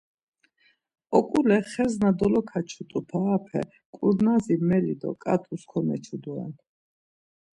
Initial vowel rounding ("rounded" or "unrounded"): rounded